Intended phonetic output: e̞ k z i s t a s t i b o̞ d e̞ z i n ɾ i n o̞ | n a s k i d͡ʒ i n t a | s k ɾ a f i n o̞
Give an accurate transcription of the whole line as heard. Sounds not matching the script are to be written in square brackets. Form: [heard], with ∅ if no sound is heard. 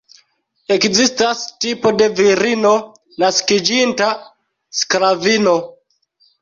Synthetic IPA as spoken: e̞ k z i s t a s t i [p] o̞ d e̞ [v] i [∅] ɾ i n o̞ | n a s k i d͡ʒ i n t a | s k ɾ a [v] i n o̞